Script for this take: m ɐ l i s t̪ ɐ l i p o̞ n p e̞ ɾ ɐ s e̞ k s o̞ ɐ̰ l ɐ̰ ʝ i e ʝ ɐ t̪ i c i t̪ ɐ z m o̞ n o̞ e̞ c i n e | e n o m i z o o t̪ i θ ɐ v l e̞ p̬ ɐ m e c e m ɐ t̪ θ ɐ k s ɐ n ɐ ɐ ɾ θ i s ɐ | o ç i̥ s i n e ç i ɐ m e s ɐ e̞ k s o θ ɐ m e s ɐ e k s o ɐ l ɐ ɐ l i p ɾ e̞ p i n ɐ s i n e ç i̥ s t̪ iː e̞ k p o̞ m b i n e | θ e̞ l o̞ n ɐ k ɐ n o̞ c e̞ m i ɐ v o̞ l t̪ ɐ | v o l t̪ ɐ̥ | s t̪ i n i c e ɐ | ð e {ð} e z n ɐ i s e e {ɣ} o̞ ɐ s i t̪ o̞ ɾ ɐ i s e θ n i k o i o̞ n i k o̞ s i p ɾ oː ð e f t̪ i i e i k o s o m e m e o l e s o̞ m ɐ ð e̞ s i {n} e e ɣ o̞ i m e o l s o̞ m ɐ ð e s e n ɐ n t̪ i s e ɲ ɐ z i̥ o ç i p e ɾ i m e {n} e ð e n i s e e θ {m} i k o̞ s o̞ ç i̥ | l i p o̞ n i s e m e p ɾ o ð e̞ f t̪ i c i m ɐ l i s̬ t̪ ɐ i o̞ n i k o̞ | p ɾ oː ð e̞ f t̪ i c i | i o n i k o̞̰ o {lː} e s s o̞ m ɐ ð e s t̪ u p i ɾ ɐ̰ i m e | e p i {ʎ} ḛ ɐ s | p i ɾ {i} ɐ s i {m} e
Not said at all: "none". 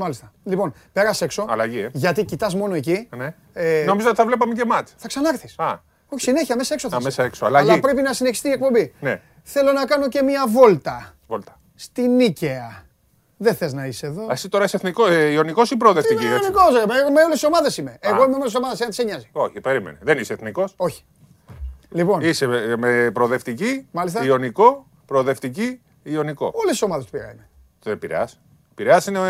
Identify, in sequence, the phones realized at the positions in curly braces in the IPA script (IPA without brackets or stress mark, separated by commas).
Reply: θ, ð, m, n, n, l, ɾ, e, n